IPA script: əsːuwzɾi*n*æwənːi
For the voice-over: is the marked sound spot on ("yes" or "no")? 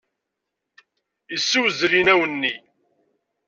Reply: yes